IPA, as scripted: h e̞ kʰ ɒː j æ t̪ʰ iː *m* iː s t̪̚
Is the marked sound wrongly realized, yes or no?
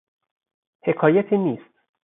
yes